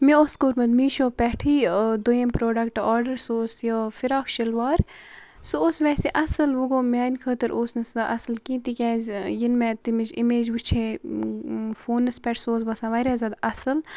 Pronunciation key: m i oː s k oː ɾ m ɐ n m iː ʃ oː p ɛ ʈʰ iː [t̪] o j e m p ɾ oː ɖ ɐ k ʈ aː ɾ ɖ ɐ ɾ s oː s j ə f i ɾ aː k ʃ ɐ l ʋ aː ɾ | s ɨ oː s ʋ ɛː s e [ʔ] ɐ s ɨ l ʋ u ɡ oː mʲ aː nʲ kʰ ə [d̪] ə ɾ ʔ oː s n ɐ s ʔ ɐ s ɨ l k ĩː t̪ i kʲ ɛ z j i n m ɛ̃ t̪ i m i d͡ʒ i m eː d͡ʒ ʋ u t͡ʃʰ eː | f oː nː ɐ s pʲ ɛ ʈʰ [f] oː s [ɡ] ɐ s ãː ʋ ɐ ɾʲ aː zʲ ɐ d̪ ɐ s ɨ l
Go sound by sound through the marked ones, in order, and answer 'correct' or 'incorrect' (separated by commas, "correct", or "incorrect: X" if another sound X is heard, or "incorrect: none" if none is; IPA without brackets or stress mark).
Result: incorrect: d̪, correct, incorrect: t̪, incorrect: s, incorrect: b